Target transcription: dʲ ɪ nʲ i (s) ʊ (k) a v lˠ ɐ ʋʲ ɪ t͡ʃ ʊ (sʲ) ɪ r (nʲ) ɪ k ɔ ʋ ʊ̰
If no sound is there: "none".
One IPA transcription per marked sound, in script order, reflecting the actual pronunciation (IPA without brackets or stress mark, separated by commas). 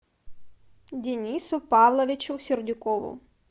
s, p, sʲ, dʲ